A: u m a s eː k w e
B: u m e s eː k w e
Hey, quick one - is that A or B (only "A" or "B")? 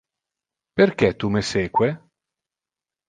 B